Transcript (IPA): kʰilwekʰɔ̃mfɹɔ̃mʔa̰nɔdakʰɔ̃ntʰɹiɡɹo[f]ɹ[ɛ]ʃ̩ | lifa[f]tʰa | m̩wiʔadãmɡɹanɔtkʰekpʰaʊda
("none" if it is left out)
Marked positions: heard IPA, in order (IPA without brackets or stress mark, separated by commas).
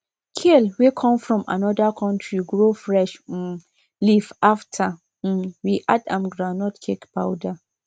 f, ɛ, f